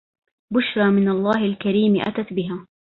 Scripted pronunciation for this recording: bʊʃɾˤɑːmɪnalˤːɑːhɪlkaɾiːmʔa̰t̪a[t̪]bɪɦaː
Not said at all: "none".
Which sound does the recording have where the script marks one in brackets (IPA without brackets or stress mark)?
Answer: t̪